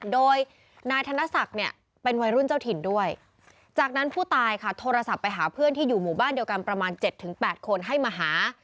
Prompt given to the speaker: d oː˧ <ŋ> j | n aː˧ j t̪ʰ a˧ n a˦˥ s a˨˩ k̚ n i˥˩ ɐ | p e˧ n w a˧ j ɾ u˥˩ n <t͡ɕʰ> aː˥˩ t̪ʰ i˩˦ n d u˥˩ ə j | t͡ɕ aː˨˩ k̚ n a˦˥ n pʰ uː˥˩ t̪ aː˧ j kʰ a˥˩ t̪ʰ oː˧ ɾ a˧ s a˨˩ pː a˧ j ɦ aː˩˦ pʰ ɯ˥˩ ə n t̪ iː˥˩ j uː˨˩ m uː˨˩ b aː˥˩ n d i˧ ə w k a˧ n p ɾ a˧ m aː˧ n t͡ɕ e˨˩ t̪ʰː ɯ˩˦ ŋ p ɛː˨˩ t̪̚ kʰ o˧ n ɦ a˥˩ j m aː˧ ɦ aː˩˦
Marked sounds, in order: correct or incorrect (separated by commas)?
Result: incorrect, incorrect